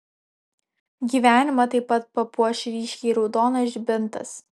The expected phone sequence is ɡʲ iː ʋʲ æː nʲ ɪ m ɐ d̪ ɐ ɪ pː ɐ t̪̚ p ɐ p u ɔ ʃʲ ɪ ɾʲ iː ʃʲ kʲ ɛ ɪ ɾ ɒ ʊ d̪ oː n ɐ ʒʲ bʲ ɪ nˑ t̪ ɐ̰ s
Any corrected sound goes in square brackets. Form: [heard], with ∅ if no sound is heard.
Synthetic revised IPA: ɡʲ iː ʋʲ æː nʲ ɪ m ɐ [t̪] ɐ ɪ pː ɐ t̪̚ p ɐ p u ɔ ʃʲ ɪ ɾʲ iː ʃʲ kʲ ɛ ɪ ɾ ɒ ʊ d̪ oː n ɐ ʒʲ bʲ ɪ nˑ t̪ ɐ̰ s